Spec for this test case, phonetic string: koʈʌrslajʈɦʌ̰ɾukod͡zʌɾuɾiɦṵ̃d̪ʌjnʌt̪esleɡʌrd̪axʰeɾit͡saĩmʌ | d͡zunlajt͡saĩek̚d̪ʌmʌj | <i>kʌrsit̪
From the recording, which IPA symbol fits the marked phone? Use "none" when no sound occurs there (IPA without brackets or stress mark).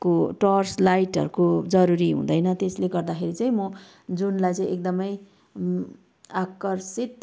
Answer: a